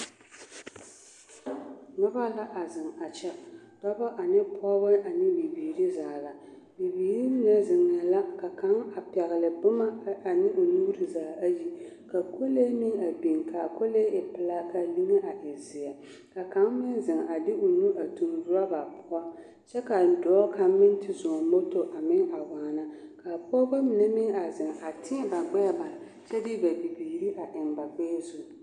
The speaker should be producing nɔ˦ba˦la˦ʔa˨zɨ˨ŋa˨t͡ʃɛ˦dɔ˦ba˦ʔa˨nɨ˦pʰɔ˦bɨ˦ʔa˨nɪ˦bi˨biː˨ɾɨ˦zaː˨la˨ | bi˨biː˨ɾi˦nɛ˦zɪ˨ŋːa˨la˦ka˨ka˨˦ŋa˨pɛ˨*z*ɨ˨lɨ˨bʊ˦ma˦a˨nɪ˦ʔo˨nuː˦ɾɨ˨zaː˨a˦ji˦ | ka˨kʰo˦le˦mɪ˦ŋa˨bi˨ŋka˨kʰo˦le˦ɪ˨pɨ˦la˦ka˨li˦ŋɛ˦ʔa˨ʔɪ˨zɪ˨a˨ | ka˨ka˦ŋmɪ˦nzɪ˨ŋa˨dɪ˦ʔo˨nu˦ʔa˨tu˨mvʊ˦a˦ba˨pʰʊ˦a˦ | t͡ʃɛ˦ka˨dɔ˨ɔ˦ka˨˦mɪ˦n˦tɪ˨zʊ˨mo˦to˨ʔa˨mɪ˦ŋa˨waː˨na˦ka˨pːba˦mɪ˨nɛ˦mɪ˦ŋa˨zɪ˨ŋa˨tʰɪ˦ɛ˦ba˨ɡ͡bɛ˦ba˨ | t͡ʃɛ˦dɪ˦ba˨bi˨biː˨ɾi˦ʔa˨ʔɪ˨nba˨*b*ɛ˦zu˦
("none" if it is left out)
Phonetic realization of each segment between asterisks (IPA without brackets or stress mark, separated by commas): ɣ, ɡ͡b